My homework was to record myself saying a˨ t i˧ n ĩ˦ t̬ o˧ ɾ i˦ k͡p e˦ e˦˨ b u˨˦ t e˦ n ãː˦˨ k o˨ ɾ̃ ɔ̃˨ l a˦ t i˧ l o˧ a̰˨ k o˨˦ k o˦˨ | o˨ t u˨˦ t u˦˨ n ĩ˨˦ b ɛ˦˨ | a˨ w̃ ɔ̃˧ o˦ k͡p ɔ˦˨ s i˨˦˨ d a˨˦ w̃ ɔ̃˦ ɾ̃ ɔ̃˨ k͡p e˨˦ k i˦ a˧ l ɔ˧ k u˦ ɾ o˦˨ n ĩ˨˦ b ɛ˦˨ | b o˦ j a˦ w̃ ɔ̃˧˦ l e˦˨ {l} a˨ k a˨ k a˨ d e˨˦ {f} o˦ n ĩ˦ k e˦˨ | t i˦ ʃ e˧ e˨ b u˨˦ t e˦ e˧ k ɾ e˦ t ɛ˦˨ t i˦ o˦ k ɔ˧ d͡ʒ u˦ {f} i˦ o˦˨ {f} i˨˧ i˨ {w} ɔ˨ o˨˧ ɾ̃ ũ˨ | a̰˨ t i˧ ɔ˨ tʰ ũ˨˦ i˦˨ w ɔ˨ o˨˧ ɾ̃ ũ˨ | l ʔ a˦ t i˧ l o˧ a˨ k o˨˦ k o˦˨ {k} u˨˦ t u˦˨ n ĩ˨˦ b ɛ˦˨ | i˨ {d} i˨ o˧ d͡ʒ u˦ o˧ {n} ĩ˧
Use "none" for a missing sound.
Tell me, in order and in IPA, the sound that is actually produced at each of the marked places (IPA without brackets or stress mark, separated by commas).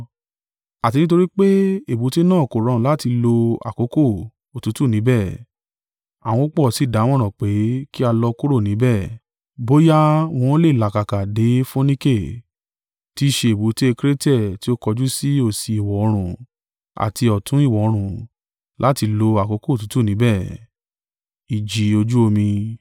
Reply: l, f, s, s, w, t, d͡ʒ, m